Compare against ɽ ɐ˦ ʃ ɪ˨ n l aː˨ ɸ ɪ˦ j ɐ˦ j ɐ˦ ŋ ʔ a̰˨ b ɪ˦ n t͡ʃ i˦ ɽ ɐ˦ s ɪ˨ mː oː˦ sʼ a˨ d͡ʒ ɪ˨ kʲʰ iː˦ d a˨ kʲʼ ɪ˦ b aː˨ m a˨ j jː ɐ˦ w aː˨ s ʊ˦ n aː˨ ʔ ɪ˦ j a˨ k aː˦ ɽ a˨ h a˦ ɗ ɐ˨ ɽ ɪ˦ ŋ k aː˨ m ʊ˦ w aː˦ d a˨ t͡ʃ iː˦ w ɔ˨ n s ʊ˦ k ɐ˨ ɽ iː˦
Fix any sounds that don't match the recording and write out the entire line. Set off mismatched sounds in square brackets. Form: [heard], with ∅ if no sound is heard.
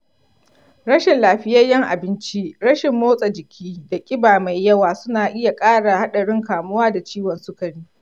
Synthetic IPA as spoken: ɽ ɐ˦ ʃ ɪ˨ n l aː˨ ɸ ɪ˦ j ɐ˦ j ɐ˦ ŋ ʔ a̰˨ b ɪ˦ n t͡ʃ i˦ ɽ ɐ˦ [ʃ] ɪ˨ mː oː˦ sʼ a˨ d͡ʒ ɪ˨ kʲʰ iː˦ d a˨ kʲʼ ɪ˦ b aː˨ m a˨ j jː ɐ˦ w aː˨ s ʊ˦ n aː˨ ʔ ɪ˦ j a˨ [kʼ] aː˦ ɽ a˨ h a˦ ɗ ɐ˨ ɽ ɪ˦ ŋ k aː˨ m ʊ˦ w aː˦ d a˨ t͡ʃ iː˦ w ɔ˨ n s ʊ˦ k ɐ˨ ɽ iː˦